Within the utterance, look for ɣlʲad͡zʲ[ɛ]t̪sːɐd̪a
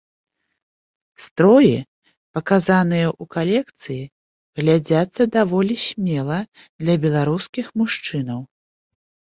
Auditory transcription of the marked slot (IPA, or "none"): a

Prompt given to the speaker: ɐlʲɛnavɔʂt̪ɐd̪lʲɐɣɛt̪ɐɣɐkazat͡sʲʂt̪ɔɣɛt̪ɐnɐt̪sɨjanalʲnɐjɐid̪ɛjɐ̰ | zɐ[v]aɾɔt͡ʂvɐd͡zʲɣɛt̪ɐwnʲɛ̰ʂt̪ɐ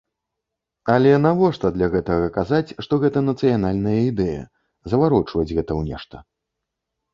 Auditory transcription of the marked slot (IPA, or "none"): v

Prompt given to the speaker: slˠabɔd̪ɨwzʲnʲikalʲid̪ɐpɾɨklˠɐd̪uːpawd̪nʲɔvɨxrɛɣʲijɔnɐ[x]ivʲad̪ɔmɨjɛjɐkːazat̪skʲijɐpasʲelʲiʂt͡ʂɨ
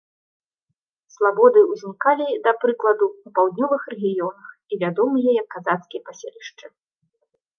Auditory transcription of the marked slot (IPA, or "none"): x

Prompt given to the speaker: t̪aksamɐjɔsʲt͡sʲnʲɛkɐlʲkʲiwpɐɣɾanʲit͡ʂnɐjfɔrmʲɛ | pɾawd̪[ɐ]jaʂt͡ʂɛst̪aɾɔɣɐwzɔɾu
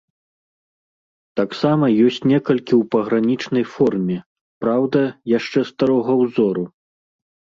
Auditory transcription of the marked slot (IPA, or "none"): ɐ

